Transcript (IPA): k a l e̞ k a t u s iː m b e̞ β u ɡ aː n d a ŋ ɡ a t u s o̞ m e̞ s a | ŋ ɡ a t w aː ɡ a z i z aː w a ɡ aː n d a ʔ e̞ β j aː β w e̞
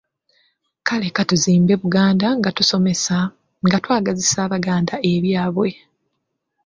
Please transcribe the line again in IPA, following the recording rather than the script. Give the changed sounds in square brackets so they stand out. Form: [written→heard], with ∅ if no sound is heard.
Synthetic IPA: k a l e̞ k a t u [s→z] iː m b e̞ β u ɡ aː n d a ŋ ɡ a t u s o̞ m e̞ s a | ŋ ɡ a t w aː ɡ a z i [z→s] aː [w→β] a ɡ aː n d a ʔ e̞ β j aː β w e̞